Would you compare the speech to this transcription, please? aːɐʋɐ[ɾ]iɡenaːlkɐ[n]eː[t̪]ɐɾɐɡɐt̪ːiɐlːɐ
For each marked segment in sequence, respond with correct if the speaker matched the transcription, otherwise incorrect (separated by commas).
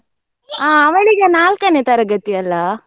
incorrect, correct, correct